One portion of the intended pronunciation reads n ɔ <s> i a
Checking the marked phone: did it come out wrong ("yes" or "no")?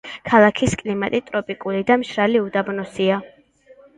no